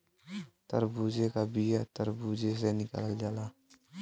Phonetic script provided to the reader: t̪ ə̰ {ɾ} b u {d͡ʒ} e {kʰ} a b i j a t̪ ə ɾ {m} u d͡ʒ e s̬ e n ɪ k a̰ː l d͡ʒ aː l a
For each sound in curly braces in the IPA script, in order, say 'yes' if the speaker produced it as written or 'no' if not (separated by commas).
yes, yes, no, no